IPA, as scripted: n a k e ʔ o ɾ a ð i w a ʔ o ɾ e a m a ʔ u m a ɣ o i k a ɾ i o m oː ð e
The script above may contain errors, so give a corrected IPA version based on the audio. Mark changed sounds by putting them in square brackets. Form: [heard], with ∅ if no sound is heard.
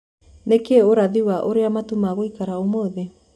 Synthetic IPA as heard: n [e] k e [∅] o ɾ a ð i w a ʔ o ɾ e a m a [t] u m a ɣ o i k a ɾ [a] o m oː ð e